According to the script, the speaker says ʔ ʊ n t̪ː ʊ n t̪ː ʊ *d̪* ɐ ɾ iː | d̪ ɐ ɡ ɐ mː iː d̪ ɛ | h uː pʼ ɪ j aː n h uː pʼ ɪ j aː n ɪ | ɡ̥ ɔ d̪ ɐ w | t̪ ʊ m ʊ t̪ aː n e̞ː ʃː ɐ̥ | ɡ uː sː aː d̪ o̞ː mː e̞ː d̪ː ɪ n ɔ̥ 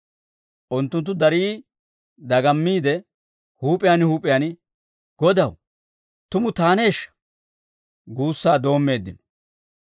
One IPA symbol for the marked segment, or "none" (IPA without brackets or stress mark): d̪